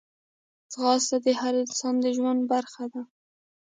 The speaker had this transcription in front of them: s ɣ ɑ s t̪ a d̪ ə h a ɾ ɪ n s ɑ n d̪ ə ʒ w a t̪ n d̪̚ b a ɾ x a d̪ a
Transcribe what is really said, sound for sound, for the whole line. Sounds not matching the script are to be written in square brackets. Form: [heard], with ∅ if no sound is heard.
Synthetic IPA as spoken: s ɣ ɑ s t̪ a d̪ ə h a ɾ ɪ n s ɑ n d̪ ə ʒ w a [∅] n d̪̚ b a ɾ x a d̪ a